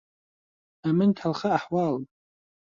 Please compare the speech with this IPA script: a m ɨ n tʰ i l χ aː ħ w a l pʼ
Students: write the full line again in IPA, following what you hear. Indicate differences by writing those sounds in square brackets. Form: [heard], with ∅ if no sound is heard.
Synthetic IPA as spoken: a m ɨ n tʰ [a] l χ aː ħ w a l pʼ